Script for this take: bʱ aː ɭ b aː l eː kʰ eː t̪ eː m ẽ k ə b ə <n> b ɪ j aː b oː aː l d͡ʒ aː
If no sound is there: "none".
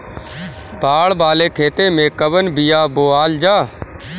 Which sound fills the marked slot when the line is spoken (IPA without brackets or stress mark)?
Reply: n